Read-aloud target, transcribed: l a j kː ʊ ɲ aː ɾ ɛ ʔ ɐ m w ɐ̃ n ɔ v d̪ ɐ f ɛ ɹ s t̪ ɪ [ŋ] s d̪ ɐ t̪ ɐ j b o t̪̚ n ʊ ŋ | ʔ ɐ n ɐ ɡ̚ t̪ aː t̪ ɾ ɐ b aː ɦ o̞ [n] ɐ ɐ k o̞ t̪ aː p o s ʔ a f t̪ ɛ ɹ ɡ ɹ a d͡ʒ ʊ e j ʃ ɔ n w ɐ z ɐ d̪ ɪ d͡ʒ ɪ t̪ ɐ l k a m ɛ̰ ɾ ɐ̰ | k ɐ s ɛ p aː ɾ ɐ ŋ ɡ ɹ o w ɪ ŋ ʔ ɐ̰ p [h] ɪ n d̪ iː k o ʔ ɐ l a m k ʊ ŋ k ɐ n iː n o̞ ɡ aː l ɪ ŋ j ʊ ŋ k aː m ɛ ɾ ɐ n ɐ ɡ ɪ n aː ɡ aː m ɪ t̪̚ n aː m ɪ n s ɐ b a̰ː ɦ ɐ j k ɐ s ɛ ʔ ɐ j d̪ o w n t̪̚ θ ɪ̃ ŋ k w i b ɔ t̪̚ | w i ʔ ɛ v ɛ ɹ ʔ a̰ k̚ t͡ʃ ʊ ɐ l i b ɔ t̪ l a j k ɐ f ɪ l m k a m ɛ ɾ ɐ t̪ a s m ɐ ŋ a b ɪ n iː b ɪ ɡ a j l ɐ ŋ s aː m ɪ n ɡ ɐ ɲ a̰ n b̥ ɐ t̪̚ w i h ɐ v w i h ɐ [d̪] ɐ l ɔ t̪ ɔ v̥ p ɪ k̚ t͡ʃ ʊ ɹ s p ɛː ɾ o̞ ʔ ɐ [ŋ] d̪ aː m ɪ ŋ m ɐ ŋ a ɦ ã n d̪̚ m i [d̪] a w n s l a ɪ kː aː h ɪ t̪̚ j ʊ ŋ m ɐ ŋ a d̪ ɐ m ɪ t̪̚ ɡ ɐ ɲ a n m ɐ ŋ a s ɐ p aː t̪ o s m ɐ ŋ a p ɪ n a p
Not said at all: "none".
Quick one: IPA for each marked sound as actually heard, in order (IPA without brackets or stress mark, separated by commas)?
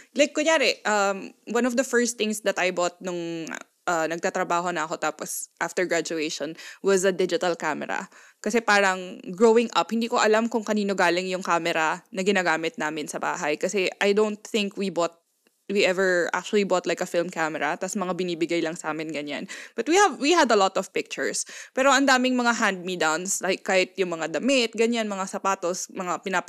ŋ, n, h, d̪, n, d̪